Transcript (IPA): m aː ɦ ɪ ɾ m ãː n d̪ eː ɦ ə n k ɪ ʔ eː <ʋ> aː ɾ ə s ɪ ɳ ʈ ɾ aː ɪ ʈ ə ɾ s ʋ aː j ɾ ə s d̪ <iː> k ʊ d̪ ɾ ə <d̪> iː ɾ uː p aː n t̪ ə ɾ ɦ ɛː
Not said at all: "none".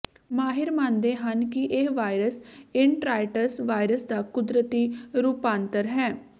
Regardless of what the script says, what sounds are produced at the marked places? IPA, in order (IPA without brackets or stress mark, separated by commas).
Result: ʋ, aː, t̪